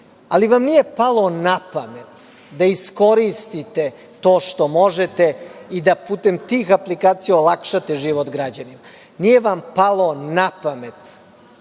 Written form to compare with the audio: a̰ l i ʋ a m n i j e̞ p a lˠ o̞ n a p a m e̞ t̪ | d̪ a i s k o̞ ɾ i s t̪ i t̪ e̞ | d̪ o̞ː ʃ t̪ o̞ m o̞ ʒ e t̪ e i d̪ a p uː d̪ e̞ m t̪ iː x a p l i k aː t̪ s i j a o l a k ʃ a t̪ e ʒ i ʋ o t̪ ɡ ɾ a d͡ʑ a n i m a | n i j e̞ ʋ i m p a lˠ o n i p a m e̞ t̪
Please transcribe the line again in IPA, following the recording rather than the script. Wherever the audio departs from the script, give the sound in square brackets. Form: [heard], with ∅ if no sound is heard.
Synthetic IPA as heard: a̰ l i ʋ a m n i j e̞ p a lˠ o̞ n a p a m e̞ t̪ | d̪ a i s k o̞ ɾ i s t̪ i t̪ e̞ | [t̪] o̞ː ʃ t̪ o̞ m o̞ ʒ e t̪ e i d̪ a p uː [t̪] e̞ m t̪ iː x a p l i k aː t̪ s i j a o l a k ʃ a t̪ e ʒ i ʋ o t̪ ɡ ɾ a d͡ʑ a n i m a | n i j e̞ ʋ [a] m p a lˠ o n [a] p a m e̞ t̪